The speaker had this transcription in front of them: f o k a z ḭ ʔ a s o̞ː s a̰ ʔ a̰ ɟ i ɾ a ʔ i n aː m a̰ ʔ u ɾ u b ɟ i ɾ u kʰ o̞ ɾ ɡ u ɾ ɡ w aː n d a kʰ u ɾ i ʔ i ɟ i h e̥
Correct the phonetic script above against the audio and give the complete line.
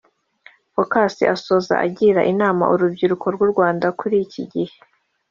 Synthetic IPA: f o k a s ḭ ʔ a s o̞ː z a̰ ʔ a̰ ɟ i ɾ a ʔ i n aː m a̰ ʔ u ɾ u b ɟ i ɾ u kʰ o̞ ɾ ɡ u ɾ ɡ w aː n d a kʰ u ɾ i c i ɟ i h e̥